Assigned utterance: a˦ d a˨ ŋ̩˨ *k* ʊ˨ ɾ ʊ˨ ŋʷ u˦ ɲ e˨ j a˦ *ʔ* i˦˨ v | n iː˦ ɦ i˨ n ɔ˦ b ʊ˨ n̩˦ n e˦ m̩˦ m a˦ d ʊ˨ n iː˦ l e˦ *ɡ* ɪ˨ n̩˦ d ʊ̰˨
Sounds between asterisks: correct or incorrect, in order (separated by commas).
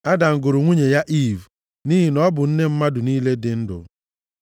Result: incorrect, correct, incorrect